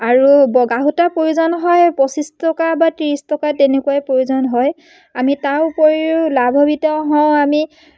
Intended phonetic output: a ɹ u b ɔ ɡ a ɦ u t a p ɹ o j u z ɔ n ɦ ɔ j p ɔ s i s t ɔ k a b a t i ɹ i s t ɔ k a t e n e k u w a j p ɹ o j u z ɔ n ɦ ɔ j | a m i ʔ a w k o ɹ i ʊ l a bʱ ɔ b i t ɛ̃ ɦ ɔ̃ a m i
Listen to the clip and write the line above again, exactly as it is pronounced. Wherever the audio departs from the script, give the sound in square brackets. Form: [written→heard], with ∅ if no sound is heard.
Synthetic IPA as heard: a ɹ u b ɔ ɡ a ɦ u t a p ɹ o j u z ɔ n ɦ ɔ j p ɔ s i s t ɔ k a b a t i ɹ i s t ɔ k a t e n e k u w a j p ɹ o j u z ɔ n ɦ ɔ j | a m i [ʔ→t] a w [k→p] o ɹ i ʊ l a bʱ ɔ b i t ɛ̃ ɦ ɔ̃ a m i